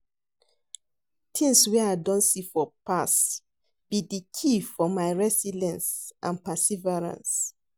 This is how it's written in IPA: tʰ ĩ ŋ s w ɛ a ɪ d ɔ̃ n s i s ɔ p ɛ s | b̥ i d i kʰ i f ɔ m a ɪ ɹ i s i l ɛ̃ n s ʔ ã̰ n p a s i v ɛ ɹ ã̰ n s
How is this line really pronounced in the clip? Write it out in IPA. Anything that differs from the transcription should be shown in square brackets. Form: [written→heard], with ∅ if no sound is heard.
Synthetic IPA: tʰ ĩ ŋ s w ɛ a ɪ d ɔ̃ n s i [s→f] ɔ p [ɛ→a] s | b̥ i d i kʰ i f ɔ m a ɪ ɹ [i→ɛ] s i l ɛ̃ n s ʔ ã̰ n p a s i v ɛ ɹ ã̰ n s